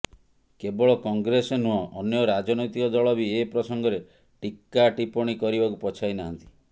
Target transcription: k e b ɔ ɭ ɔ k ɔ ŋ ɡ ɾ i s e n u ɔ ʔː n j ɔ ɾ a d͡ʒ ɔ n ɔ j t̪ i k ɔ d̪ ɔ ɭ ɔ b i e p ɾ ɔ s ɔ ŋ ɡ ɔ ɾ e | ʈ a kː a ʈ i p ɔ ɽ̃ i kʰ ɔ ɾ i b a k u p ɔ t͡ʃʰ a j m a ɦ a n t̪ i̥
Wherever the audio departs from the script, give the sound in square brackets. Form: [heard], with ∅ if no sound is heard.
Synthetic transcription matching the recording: k e b ɔ ɭ ɔ k ɔ ŋ ɡ ɾ [e] s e n u ɔ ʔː n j ɔ ɾ a d͡ʒ ɔ n ɔ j t̪ i k ɔ d̪ ɔ ɭ ɔ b i e p ɾ ɔ s ɔ ŋ ɡ ɔ ɾ e | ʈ [i] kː a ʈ i p ɔ ɽ̃ i [k] ɔ ɾ i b a k u p ɔ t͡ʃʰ a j [n] a ɦ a n t̪ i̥